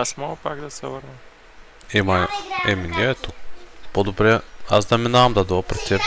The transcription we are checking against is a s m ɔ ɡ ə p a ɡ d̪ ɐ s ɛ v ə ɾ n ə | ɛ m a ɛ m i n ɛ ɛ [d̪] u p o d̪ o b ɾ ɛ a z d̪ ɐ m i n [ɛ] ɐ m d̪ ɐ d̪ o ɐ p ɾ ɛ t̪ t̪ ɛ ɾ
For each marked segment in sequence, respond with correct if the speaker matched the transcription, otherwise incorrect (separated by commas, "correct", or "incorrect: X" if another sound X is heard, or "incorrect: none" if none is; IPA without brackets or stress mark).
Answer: incorrect: t̪, incorrect: a